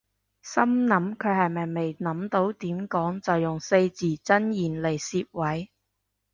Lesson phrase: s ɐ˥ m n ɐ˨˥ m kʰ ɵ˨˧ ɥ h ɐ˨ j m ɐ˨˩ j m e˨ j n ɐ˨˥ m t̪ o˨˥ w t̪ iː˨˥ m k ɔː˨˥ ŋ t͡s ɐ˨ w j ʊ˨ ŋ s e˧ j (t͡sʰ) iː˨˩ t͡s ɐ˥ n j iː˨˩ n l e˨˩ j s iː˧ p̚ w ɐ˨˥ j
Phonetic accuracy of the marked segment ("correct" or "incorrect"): incorrect